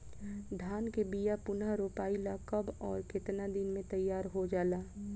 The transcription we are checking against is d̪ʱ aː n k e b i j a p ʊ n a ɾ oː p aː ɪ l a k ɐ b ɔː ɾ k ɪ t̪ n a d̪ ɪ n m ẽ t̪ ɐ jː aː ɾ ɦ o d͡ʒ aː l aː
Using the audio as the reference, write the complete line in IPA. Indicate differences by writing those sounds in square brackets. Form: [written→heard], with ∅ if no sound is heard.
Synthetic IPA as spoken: d̪ʱ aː n k e b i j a p ʊ n a ɾ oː p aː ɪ l a k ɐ b ɔː ɾ k ɪ t̪ n a d̪ ɪ n m ẽ t̪ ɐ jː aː ɾ ɦ o d͡ʒ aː l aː